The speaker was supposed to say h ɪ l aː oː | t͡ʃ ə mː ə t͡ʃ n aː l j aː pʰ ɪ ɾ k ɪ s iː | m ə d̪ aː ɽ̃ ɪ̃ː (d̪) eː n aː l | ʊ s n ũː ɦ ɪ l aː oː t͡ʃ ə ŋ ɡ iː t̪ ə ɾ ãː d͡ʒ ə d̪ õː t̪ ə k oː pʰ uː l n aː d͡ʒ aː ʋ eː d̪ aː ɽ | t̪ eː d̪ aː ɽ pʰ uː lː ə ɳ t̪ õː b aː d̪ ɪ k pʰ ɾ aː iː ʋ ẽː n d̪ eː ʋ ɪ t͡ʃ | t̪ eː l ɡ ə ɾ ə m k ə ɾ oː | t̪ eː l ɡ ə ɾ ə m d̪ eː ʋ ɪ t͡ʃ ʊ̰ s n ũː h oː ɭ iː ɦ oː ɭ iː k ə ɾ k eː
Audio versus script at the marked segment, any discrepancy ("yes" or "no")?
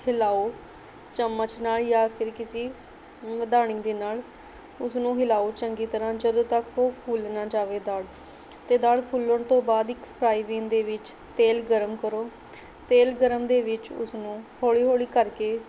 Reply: no